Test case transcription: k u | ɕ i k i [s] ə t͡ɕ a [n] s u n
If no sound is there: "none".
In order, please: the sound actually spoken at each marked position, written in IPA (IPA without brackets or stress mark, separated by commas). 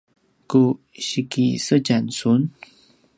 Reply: s, n